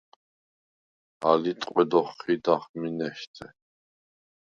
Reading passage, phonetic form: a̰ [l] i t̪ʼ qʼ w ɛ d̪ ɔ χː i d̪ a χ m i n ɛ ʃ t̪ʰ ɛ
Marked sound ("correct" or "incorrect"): correct